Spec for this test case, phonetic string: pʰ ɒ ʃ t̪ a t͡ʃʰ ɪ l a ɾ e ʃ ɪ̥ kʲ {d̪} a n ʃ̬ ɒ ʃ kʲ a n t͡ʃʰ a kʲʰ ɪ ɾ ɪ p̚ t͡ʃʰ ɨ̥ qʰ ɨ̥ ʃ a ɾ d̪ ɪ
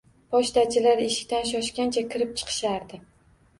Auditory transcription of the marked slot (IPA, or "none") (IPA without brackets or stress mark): t̪